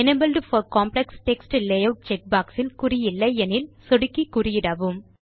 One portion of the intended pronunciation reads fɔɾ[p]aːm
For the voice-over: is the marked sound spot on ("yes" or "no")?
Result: no